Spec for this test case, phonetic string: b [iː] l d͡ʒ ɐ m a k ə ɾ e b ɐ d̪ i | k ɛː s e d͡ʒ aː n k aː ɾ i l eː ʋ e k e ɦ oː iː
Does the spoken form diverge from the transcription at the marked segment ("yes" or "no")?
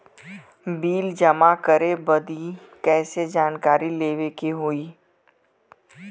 no